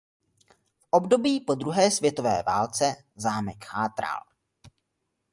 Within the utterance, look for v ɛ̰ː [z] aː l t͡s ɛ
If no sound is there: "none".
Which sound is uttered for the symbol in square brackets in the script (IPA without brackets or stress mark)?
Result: v